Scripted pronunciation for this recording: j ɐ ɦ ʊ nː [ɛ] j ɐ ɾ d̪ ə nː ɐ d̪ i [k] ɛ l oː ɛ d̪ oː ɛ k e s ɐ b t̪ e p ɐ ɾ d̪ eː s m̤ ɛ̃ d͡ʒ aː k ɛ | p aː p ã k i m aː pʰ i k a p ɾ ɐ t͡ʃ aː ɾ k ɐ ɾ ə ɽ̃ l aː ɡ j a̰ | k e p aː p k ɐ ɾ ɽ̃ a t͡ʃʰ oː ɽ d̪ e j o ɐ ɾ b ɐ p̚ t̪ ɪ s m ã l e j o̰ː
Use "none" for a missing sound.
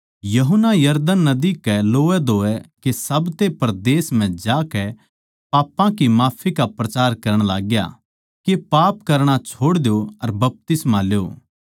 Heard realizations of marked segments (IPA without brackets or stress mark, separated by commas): a, k